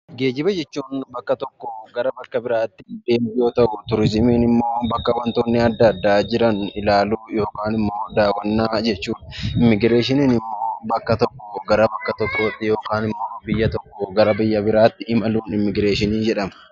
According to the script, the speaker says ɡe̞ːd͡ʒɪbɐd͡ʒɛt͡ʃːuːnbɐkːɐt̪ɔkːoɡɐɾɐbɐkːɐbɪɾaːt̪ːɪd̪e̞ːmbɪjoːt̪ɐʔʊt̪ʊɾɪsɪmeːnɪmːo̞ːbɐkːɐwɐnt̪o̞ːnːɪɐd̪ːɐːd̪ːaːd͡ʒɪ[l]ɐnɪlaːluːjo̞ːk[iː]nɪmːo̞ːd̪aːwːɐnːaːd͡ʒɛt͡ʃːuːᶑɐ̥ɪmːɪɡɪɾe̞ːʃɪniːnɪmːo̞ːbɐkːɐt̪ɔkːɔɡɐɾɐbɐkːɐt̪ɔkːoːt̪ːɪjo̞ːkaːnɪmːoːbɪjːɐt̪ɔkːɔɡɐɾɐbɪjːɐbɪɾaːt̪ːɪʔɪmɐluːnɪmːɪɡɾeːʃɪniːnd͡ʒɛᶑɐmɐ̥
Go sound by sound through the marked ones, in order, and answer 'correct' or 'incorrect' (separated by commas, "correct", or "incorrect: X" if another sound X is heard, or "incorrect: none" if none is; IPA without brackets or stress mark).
incorrect: ɾ, incorrect: aː